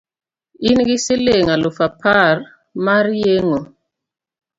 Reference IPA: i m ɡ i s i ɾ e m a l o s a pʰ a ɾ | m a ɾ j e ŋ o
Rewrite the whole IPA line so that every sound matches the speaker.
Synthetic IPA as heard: i n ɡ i s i l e ŋ a l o f a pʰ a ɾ | m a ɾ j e ŋ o